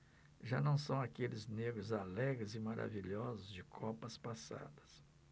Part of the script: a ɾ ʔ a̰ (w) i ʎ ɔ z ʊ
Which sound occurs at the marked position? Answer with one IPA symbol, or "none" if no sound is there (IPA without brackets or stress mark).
v